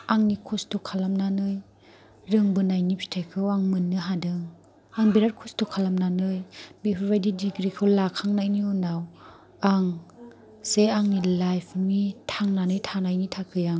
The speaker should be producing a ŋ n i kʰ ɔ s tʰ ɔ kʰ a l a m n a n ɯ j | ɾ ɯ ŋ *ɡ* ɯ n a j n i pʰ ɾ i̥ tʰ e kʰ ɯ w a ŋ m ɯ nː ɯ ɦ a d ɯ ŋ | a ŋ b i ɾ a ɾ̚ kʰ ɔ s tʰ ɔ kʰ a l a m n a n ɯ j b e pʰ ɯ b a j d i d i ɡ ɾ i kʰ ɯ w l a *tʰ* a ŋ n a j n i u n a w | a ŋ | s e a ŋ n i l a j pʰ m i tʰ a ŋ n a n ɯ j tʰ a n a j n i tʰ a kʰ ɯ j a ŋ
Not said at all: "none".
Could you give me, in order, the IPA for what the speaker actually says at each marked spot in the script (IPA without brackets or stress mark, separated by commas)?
b, kʰ